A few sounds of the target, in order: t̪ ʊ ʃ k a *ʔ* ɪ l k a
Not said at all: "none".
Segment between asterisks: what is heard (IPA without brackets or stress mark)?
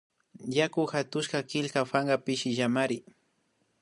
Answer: k